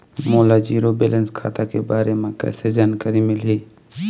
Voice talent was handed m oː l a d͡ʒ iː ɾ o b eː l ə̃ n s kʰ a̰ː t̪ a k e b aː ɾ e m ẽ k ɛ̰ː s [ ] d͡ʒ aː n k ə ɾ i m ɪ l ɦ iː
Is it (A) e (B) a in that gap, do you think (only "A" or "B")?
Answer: A